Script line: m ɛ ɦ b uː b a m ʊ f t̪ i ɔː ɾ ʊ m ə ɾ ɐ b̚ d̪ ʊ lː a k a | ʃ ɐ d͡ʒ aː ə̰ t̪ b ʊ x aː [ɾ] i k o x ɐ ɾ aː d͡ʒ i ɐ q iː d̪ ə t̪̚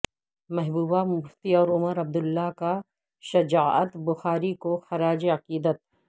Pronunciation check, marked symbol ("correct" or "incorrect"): correct